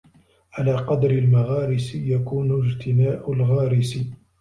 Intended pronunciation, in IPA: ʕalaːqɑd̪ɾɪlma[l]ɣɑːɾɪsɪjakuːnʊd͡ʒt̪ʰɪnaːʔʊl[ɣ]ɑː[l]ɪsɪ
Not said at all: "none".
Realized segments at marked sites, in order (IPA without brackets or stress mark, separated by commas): none, ɣ, ɾ